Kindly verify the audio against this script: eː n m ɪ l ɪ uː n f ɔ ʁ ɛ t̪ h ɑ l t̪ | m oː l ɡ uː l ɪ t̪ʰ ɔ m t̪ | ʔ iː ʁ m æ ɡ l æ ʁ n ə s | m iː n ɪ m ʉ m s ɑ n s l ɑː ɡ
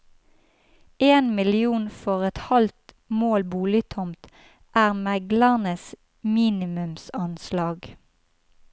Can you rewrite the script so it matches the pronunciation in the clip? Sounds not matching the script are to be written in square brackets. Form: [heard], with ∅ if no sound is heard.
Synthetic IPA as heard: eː n m ɪ l ɪ uː n f ɔ ʁ ɛ t̪ h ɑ l t̪ | m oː l [b] uː l ɪ t̪ʰ ɔ m t̪ | ʔ [æː] ʁ m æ ɡ l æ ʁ n ə s | m iː n ɪ m ʉ m s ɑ n s l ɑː ɡ